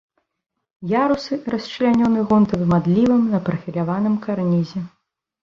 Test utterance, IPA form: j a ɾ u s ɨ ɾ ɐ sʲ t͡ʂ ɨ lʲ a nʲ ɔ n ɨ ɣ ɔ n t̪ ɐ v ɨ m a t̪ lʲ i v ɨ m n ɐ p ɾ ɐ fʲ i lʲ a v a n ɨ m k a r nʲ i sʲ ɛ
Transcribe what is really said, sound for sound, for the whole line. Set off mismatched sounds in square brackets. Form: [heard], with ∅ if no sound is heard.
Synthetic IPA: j a ɾ u s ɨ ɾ ɐ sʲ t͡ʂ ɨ lʲ a nʲ ɔ n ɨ ɣ ɔ n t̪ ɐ v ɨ m a [d̪] lʲ i v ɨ m n ɐ p ɾ ɐ fʲ i lʲ a v a n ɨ m k a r nʲ i [zʲ] ɛ